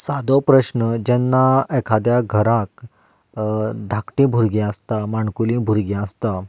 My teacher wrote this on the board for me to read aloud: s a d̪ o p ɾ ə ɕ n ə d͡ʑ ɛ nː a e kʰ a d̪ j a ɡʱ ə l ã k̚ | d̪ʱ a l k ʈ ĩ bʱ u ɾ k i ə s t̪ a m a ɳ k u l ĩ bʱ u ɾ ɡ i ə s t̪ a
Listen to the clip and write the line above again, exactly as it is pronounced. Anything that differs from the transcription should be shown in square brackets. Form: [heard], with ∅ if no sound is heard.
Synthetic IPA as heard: s a d̪ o p ɾ ə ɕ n ə d͡ʑ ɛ nː a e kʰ a d̪ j a ɡʱ ə [ɾ] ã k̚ | d̪ʱ a [∅] k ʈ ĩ bʱ u ɾ [ɡ] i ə s t̪ a m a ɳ k u l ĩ bʱ u ɾ ɡ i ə s t̪ a